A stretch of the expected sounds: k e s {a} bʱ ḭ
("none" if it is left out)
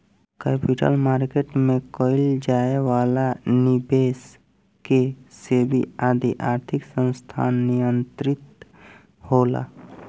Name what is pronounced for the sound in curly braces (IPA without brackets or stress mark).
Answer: e